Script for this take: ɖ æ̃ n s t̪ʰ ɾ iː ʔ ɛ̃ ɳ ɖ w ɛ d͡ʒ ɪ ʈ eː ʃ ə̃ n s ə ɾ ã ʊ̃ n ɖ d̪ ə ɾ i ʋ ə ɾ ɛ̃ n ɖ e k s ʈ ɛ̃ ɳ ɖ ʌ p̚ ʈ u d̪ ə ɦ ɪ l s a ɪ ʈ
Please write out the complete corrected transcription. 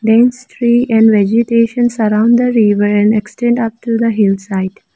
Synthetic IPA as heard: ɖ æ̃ n s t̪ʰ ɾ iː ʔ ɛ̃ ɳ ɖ ʋ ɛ d͡ʒ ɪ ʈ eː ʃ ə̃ n s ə ɾ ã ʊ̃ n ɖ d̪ ə ɾ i ʋ ə ɾ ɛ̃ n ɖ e k s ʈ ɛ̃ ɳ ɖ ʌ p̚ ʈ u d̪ ə ɦ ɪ l s a ɪ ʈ